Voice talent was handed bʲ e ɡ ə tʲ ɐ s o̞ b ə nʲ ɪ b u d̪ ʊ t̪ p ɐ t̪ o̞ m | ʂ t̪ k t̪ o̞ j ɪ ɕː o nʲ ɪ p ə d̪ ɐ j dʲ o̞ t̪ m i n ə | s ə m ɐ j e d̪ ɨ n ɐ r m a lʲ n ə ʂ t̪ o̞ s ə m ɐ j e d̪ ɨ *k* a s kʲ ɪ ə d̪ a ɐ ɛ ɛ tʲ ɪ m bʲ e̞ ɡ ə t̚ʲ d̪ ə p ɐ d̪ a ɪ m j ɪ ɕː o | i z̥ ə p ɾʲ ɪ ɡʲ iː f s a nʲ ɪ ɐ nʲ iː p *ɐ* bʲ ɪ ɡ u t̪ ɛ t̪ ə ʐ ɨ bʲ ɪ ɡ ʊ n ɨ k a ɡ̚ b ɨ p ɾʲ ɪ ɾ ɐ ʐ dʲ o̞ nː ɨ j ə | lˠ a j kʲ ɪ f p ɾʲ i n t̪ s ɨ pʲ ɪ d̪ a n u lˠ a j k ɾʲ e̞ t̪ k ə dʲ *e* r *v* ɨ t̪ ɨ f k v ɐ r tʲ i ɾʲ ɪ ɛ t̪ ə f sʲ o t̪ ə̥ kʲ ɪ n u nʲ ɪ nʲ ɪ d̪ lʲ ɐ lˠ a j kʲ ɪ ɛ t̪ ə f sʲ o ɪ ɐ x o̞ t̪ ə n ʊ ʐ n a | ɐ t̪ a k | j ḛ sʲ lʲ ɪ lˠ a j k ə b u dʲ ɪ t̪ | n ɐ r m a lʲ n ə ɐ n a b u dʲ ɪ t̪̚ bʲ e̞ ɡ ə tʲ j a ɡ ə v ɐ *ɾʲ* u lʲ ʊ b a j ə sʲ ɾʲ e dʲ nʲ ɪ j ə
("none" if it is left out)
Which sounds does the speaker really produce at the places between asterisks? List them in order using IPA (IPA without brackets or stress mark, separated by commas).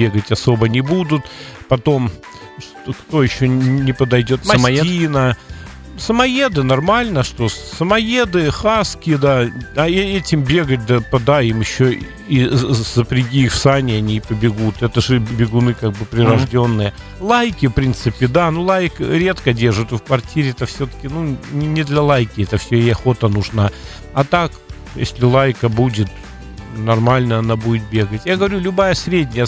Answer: x, ə, e, ʐ, ɾʲ